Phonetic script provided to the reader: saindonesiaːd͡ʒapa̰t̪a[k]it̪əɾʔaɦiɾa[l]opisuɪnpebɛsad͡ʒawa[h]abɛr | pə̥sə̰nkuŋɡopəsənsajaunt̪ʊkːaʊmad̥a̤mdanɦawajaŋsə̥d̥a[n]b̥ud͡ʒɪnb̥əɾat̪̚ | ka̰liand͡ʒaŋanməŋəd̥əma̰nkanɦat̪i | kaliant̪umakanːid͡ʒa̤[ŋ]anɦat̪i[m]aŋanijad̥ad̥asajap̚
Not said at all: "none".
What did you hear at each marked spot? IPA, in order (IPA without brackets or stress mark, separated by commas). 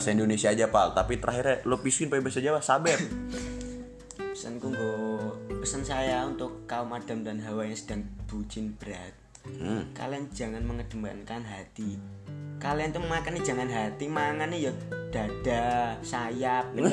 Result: p, l, s, ŋ, ŋ, m